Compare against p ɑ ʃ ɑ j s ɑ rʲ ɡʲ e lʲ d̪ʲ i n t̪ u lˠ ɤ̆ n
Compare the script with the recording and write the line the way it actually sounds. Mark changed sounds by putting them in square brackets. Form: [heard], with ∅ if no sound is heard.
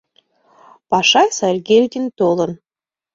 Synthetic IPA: p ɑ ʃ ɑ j s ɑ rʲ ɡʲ e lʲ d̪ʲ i n t̪ [o] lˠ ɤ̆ n